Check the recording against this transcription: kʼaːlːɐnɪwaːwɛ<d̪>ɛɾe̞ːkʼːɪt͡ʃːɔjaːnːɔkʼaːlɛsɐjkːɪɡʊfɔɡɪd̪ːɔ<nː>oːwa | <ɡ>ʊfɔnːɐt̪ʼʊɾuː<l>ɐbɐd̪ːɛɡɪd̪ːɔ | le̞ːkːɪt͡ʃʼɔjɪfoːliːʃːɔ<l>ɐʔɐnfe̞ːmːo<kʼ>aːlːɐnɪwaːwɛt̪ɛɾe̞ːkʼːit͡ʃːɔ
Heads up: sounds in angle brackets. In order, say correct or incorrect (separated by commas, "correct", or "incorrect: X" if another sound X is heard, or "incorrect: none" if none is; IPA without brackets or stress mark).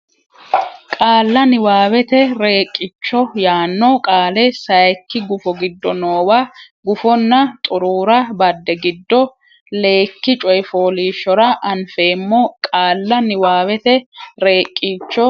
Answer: incorrect: t̪, incorrect: n, correct, incorrect: ɾ, incorrect: ɾ, correct